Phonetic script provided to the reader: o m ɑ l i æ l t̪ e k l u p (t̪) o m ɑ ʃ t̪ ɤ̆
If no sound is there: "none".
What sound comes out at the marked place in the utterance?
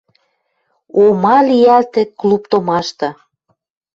t̪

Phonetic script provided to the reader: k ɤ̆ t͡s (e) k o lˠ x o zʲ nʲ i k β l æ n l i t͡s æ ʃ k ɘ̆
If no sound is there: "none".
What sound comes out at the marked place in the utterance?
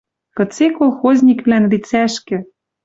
e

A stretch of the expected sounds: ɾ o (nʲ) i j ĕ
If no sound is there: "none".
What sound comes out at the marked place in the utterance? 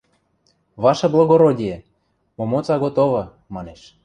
dʲ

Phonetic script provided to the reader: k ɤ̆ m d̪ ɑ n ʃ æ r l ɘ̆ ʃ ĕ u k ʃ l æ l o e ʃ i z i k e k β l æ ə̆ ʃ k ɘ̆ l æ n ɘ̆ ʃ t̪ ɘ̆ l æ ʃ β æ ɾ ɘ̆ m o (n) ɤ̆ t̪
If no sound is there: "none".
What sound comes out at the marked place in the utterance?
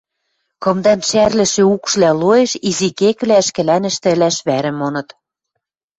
n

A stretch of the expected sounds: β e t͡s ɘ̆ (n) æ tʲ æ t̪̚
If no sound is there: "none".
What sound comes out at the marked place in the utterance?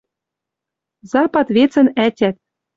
n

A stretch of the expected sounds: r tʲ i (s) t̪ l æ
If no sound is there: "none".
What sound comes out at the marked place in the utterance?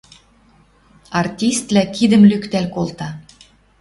s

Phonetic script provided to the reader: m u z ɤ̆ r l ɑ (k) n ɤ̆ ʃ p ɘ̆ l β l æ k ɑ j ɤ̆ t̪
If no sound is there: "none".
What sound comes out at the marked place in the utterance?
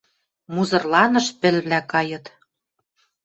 none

